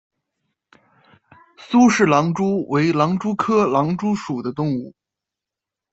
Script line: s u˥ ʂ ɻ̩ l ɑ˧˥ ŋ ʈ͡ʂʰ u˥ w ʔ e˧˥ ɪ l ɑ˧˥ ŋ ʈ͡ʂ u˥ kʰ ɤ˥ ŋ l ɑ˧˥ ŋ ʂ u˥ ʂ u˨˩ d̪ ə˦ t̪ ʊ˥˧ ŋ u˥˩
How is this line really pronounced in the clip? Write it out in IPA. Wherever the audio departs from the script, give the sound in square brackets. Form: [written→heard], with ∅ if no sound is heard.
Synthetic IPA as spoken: s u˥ ʂ ɻ̩ l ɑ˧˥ ŋ [ʈ͡ʂʰ→ʈ͡ʂ] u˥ w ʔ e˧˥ ɪ l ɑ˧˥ ŋ ʈ͡ʂ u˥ kʰ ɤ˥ [ŋ→∅] l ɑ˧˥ ŋ [ʂ→ʈ͡ʂ] u˥ ʂ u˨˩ d̪ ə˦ t̪ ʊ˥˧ ŋ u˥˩